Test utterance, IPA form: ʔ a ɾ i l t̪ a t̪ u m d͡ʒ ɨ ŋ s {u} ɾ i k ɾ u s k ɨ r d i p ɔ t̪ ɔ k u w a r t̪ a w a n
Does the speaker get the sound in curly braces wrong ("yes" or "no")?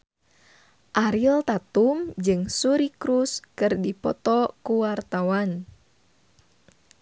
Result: no